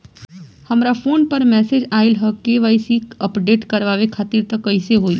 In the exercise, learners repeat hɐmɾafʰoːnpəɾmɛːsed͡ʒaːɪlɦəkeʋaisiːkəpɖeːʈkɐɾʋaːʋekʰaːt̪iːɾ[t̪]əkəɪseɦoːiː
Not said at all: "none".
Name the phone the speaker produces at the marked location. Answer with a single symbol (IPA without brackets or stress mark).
t̪